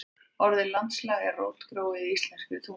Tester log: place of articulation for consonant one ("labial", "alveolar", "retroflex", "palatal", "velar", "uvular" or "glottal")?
alveolar